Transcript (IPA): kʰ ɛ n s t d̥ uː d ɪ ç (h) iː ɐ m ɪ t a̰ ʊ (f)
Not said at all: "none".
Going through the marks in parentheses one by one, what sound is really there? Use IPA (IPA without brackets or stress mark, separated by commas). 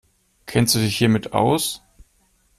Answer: h, s